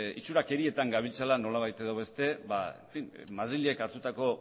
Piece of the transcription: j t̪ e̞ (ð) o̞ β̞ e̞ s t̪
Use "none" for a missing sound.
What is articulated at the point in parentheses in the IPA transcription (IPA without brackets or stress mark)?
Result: ð